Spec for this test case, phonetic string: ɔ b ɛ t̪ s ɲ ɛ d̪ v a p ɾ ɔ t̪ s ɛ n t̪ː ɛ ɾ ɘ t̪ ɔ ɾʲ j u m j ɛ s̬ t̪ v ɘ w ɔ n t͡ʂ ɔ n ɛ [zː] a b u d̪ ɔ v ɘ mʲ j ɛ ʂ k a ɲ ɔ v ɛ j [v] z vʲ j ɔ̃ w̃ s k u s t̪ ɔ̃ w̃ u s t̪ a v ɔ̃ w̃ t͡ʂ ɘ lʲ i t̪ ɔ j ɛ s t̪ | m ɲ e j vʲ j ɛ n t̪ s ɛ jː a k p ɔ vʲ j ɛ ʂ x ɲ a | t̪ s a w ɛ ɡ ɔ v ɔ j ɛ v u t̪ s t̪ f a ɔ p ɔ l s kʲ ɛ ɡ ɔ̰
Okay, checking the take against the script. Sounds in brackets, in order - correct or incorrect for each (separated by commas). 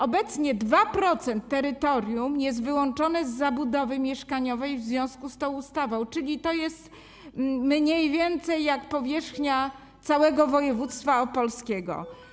correct, correct